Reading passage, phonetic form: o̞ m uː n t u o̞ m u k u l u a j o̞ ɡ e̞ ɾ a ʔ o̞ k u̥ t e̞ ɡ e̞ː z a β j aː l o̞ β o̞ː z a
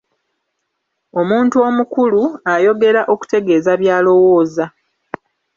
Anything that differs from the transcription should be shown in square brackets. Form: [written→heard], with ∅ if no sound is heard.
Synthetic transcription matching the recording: o̞ m uː n t u o̞ m u k u l u a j o̞ ɡ e̞ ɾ a ʔ o̞ k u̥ t e̞ ɡ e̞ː z a β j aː l o̞ [β→w] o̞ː z a